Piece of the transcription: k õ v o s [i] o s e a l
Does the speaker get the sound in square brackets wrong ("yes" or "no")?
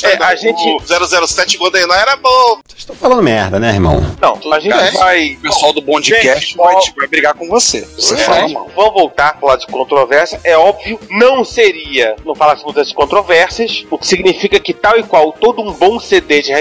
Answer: yes